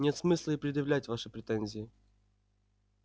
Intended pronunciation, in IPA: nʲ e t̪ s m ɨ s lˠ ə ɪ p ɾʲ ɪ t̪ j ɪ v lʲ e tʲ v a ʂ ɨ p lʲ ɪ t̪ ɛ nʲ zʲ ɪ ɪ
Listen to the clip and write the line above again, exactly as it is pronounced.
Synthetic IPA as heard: nʲ e t̪ s m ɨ s lˠ ə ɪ p ɾʲ ɪ d̪ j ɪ v lʲ æ tʲ v a ʂ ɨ p ɾʲ ɪ t̪ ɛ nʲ zʲ ɪ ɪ

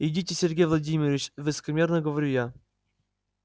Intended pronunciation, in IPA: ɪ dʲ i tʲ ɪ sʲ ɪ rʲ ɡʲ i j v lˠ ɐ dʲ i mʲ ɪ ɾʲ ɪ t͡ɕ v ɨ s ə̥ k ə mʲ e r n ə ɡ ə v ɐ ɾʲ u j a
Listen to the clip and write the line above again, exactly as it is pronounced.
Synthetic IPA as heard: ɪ dʲ i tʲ ɪ sʲ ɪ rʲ ɡʲ e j v lˠ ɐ dʲ i mʲ ɪ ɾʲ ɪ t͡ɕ v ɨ s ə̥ k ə mʲ e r n ə ɡ ə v ɐ ɾʲ u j a

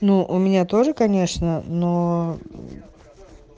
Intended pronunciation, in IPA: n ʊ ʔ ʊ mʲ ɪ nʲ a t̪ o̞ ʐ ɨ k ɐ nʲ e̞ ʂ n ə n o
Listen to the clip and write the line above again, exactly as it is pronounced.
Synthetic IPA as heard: n u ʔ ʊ mʲ ɪ nʲ a t̪ o̞ ʐ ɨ k ɐ nʲ e̞ ʂ n ə n o

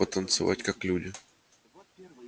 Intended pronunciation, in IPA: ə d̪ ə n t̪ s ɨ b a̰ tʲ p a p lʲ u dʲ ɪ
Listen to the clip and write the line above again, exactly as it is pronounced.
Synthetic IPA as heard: ə t̪ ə n t̪ s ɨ v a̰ tʲ k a k lʲ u dʲ ɪ

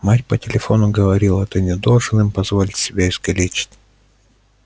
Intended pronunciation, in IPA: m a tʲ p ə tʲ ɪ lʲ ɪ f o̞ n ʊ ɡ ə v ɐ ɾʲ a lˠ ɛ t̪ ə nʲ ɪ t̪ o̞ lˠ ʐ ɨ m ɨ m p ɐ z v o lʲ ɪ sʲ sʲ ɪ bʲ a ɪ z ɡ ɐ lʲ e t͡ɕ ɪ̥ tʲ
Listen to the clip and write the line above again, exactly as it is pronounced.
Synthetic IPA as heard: m a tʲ p ə tʲ ɪ lʲ ɪ f o̞ n ʊ ɡ ə v ɐ ɾʲ i lˠ ɛ t̪ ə nʲ ɪ d̪ o̞ lˠ ʐ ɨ n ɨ m p ɐ z v o lʲ ɪ tʲ sʲ ɪ bʲ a ɪ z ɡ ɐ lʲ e t͡ɕ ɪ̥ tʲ

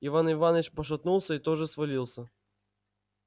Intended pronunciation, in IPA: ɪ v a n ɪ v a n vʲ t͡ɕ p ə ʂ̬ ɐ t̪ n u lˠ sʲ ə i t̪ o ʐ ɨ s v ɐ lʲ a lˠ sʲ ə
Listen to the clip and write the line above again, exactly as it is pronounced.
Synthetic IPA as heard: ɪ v a n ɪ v a n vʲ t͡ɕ p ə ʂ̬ ɐ t̪ n u lˠ sʲ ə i t̪ o ʐ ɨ s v ɐ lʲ i lˠ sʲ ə

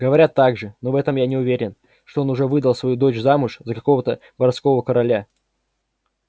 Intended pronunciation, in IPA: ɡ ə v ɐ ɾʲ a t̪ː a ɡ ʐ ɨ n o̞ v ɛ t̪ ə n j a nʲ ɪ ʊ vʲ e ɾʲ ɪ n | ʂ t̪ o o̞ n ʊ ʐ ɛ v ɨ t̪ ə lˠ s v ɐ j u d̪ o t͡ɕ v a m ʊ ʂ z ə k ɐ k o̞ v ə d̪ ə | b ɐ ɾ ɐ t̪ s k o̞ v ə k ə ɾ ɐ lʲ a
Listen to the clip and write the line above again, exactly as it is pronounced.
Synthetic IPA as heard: ɡ ə v ɐ ɾʲ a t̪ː a ɡ ʐ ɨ n o̞ v ɛ t̪ ə m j a nʲ ɪ ʊ vʲ e ɾʲ ɪ n | ʂ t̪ o o̞ n ʊ ʐ ɛ v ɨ d̪ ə lˠ s v ɐ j u d̪ o t͡ɕ z a m ʊ ʂ z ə k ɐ k o̞ v ə t̪ ə | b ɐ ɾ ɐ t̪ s k o̞ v ə k ə ɾ ɐ lʲ a

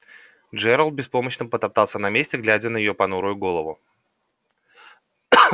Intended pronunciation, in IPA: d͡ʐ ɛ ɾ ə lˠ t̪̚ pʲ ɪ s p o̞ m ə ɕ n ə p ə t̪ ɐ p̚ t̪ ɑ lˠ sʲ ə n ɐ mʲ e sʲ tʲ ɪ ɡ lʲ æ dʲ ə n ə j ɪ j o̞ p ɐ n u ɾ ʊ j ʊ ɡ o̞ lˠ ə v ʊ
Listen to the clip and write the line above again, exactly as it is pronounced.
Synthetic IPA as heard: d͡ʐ ɛ ɾ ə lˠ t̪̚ bʲ ɪ s p o̞ m ə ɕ n ə p ə t̪ ɐ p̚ t̪ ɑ lˠ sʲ ə n ɐ mʲ e sʲ tʲ ɪ ɡ lʲ æ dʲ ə n ə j ɪ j o̞ p ɐ n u ɾ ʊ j ʊ ɡ o̞ lˠ ə v ʊ

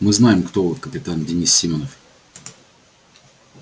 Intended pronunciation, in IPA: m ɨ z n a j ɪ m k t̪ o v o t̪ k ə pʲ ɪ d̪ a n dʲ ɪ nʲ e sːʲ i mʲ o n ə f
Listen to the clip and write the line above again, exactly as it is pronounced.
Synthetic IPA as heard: m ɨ z n a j ɪ m k t̪ o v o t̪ k ə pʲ ɪ t̪ a n dʲ ɪ nʲ i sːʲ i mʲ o n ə f

